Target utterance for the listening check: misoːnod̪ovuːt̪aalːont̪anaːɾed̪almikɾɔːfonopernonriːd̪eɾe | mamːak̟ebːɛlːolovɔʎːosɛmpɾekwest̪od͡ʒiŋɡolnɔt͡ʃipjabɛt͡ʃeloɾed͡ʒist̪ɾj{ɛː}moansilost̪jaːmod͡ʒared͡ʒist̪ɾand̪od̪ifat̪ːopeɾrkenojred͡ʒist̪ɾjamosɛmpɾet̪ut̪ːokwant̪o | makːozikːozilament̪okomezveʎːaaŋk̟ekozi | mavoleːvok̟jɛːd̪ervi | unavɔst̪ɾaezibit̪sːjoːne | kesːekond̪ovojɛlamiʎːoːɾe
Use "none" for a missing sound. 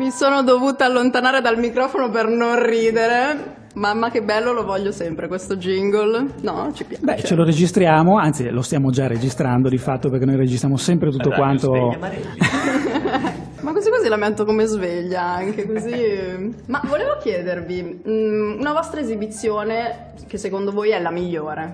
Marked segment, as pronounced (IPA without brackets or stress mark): aː